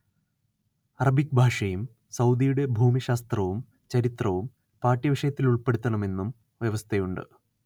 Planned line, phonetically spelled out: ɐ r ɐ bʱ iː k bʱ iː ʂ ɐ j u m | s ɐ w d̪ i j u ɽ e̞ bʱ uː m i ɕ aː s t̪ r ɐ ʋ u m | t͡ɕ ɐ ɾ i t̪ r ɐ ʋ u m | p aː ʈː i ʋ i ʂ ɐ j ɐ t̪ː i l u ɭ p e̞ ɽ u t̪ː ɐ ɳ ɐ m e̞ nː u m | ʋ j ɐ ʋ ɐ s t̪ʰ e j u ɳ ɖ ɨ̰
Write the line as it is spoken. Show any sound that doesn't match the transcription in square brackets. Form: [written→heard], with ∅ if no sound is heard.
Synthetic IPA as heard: ɐ r ɐ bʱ [iː→i] k bʱ [iː→aː] ʂ ɐ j u m | s ɐ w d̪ i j u ɽ e̞ bʱ uː m i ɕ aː s t̪ r ɐ ʋ u m | t͡ɕ ɐ ɾ i t̪ r ɐ ʋ u m | p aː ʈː i ʋ i ʂ ɐ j ɐ t̪ː i l u ɭ p e̞ ɽ u t̪ː ɐ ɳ ɐ m e̞ nː u m | ʋ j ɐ ʋ ɐ s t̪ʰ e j u ɳ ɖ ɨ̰